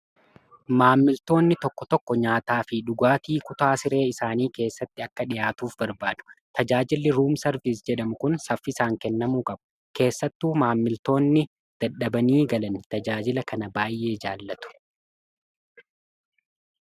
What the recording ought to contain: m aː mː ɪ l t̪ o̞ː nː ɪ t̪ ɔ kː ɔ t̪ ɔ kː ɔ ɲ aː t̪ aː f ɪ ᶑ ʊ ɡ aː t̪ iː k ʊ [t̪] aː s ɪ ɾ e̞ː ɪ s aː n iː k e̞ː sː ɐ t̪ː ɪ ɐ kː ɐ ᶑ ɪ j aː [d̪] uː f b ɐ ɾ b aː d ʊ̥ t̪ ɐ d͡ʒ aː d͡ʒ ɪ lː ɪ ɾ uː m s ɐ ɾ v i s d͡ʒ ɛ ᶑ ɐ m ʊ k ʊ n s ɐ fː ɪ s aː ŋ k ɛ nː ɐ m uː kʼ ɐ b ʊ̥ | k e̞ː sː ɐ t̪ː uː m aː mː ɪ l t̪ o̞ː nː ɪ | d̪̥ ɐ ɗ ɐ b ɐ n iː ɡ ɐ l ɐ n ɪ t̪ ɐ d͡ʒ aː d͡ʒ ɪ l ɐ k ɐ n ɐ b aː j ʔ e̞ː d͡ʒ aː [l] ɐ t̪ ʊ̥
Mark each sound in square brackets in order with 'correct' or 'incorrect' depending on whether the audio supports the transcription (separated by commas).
correct, incorrect, incorrect